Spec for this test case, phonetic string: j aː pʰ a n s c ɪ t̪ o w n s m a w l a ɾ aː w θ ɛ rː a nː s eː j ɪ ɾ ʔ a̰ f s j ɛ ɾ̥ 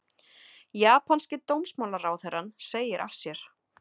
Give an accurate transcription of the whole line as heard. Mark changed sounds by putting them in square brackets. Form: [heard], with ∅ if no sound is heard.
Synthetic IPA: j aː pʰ a n s c ɪ t̪ o w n s m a w l a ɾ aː w θ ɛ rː a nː s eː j ɪ ɾ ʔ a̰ f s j ɛ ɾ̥